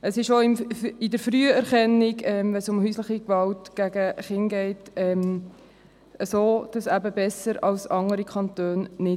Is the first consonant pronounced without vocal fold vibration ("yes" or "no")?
yes